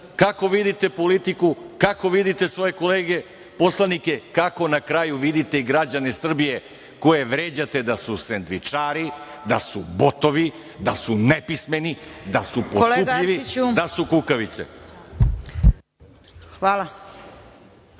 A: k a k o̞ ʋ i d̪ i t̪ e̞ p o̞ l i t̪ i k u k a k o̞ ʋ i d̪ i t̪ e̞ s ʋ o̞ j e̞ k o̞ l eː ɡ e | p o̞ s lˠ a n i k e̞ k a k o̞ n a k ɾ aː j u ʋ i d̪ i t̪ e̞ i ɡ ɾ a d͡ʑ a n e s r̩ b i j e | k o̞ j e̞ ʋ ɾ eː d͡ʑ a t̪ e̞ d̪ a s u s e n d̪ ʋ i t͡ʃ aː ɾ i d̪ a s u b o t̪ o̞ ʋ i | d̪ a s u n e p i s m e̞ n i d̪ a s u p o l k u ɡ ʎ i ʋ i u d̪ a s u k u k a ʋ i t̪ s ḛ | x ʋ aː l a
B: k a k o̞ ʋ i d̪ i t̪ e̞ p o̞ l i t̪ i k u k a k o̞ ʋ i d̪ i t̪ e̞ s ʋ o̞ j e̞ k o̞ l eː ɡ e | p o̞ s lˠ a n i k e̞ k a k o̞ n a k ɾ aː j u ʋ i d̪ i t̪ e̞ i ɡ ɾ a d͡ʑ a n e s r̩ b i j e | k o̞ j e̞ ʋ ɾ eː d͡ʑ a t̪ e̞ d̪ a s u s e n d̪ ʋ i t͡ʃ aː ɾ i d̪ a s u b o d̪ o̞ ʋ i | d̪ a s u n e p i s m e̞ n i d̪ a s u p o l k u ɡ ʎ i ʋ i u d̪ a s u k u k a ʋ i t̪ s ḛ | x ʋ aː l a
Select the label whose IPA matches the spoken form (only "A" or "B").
A